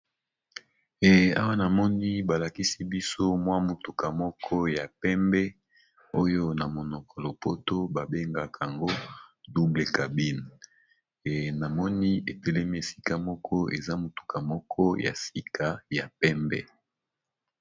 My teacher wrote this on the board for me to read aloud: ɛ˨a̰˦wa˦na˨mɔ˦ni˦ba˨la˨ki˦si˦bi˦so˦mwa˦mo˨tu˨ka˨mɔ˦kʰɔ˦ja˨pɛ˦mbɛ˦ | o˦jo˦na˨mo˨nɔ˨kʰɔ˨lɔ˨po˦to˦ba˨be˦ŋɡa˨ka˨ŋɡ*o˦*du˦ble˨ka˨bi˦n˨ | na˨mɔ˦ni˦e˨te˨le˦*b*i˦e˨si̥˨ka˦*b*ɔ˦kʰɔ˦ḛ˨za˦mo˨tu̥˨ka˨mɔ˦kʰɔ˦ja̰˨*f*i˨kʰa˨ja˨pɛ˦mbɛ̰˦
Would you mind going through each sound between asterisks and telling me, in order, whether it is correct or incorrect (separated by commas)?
correct, incorrect, incorrect, incorrect